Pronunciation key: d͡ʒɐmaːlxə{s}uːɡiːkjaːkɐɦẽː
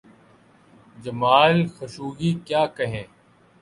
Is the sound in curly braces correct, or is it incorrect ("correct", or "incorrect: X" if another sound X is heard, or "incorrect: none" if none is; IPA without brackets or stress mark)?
incorrect: ʃ